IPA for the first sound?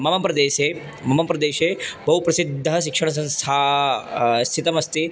m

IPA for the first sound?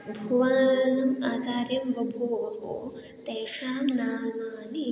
bʱ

